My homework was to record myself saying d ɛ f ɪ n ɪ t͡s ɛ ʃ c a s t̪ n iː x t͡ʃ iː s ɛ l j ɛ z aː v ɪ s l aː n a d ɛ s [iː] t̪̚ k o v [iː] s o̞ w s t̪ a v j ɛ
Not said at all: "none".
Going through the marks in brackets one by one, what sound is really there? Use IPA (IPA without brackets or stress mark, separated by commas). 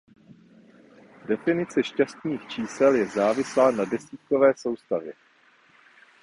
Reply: iː, ɛː